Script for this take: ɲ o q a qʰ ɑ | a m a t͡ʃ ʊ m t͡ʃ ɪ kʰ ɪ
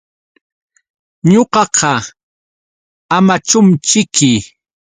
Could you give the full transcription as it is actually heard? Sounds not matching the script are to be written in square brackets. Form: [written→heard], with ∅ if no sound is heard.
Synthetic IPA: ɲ o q [a→ɑ] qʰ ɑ | a m a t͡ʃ ʊ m t͡ʃ ɪ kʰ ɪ